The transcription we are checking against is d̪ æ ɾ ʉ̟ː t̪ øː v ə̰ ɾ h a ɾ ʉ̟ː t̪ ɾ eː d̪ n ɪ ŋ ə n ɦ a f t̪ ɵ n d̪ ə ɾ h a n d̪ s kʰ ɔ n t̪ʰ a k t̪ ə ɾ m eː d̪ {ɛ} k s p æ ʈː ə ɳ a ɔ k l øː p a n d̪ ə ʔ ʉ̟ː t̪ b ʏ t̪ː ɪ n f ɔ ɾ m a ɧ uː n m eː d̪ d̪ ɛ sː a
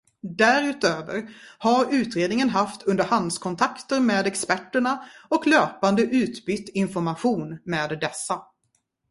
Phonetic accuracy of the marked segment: correct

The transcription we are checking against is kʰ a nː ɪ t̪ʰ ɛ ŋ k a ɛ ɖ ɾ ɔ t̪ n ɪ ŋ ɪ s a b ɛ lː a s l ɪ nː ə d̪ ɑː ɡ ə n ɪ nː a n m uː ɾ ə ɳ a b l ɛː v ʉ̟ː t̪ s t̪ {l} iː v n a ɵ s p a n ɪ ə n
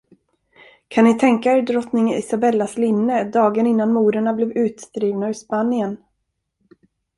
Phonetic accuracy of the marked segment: incorrect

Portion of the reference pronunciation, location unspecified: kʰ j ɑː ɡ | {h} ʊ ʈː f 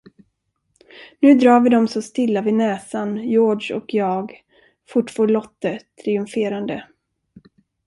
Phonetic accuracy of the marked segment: incorrect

